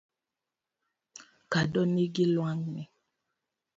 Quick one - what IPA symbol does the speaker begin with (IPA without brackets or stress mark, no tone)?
k